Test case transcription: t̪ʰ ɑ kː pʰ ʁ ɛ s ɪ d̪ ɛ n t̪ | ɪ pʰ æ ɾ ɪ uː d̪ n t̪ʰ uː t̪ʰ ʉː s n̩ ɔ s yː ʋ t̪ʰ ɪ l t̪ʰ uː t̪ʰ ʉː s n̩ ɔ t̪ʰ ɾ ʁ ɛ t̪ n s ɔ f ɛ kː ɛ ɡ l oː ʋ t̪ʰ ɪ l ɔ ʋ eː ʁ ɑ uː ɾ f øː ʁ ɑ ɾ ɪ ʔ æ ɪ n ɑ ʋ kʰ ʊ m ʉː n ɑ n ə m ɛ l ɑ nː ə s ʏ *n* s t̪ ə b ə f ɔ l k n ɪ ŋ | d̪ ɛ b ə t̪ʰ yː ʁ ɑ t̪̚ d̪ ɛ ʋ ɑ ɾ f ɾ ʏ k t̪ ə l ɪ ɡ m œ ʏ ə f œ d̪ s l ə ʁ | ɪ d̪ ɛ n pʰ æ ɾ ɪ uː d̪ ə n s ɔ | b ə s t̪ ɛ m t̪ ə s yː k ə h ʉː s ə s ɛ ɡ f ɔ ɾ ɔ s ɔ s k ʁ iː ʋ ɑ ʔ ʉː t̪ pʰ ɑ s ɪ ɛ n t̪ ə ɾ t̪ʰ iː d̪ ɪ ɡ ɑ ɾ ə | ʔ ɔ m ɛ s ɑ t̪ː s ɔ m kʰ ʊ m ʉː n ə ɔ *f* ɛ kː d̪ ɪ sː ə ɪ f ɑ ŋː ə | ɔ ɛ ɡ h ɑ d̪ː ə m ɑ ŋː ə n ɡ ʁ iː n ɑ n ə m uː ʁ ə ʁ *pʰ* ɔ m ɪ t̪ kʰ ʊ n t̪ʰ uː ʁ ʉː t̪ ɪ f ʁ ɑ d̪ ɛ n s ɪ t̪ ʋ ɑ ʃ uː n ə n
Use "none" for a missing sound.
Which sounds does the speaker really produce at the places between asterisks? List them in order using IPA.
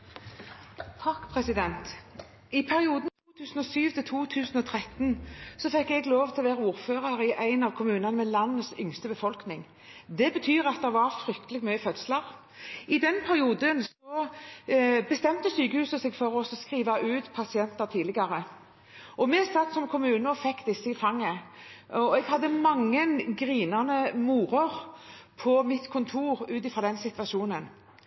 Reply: ŋ, f, pʰ

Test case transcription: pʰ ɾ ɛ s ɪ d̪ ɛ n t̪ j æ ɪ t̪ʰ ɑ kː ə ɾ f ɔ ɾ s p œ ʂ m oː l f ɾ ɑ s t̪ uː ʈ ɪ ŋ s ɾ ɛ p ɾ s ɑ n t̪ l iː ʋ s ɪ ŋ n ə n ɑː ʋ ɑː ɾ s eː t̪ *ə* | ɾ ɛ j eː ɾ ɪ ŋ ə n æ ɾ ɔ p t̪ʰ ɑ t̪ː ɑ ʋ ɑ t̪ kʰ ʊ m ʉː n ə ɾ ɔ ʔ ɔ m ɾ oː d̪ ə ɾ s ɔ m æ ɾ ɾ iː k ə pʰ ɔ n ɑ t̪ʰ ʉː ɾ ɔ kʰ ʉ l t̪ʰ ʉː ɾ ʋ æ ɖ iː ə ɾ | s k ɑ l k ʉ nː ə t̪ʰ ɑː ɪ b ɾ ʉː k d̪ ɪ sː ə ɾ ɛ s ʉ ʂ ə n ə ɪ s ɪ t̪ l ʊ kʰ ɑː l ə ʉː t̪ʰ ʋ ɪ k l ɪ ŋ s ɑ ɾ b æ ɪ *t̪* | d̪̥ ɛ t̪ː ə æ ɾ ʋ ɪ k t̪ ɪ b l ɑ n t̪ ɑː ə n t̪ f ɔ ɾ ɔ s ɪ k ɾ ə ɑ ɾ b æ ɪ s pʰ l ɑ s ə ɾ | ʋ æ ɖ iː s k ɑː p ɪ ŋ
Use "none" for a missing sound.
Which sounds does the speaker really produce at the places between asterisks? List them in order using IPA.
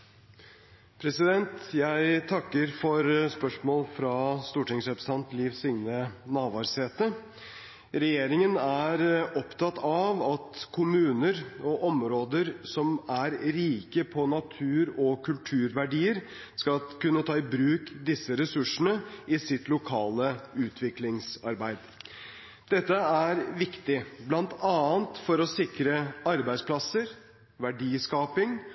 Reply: ə, d̪

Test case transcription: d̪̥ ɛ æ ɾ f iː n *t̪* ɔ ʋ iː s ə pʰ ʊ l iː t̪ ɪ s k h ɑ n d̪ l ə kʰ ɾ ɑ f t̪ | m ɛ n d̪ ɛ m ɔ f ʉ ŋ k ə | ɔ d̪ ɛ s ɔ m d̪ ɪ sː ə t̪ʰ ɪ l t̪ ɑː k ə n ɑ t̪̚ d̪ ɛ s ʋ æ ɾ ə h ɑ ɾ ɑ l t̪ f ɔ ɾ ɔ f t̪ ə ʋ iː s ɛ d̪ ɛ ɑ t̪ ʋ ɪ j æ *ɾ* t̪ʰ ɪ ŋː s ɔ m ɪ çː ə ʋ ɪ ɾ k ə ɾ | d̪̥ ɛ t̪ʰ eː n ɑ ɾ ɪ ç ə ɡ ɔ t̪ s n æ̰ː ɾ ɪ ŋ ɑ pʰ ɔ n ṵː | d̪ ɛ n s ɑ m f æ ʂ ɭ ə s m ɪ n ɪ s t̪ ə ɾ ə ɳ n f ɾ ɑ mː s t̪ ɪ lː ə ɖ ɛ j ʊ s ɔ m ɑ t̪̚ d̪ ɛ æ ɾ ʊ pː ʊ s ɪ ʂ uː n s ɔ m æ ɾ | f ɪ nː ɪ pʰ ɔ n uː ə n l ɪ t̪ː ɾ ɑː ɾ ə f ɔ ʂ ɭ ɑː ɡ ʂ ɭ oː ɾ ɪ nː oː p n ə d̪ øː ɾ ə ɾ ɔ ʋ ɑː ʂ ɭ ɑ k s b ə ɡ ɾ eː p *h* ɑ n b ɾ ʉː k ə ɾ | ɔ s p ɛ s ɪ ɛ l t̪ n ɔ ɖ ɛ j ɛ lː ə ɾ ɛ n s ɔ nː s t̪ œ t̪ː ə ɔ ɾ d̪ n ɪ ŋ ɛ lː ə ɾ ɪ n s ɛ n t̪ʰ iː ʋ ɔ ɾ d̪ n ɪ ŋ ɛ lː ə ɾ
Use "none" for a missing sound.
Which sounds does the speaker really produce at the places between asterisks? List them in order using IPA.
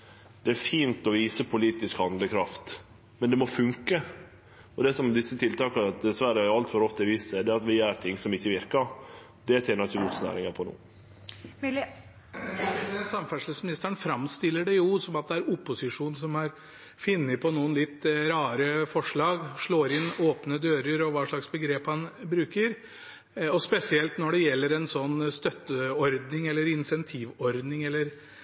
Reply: t̪, ɾ, h

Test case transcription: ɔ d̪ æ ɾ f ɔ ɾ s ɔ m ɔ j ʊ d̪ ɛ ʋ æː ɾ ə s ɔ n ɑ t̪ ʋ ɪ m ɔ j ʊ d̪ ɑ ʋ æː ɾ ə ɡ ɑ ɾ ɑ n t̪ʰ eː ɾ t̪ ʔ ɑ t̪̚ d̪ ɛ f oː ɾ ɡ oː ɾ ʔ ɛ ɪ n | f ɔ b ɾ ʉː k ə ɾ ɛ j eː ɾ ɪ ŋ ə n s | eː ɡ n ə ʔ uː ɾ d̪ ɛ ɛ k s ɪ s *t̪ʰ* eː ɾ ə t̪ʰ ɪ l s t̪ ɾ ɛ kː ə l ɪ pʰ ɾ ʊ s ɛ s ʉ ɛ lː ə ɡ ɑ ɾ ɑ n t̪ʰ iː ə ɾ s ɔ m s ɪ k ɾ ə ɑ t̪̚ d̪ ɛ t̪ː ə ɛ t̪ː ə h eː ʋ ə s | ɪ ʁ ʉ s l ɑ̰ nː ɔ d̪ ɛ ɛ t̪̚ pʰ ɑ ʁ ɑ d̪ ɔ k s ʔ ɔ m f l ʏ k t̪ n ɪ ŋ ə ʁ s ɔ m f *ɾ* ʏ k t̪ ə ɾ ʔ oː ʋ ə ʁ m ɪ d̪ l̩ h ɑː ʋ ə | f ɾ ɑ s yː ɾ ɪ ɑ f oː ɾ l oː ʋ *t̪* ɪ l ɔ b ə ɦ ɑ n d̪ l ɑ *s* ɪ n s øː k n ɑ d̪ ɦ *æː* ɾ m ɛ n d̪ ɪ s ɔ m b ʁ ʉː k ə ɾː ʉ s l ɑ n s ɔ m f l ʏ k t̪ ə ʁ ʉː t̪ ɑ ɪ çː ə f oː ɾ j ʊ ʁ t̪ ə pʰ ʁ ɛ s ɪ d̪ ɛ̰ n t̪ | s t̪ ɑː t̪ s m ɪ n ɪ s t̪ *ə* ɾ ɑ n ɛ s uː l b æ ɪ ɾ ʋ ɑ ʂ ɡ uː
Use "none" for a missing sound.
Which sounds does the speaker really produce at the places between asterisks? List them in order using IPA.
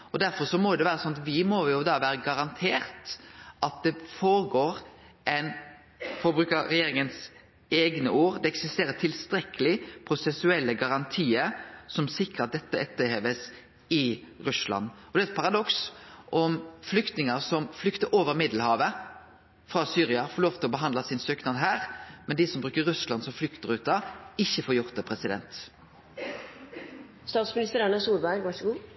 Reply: t̪, l, t̪, s, æː, ə

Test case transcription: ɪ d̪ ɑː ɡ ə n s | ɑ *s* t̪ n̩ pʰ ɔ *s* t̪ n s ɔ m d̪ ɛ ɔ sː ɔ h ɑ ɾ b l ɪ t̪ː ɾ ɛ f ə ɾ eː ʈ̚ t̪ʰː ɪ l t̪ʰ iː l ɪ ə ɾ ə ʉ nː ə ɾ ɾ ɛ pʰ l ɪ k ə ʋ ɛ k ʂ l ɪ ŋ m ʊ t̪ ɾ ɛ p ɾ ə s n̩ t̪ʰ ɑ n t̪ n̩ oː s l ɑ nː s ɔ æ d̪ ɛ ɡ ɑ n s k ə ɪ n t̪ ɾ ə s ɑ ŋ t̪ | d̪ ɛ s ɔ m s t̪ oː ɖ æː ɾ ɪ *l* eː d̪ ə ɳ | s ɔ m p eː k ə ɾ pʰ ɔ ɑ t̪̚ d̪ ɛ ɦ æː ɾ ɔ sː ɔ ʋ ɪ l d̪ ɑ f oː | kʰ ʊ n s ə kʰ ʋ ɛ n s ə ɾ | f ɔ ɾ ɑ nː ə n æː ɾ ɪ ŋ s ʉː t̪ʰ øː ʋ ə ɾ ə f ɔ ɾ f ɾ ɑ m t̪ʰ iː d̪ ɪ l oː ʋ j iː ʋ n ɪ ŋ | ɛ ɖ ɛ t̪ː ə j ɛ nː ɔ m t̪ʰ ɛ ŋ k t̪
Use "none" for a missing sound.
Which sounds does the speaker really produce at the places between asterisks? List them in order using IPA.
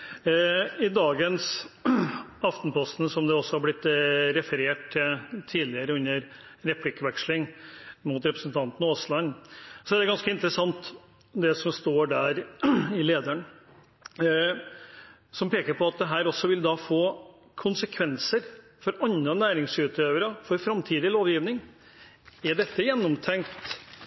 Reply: f, s, l

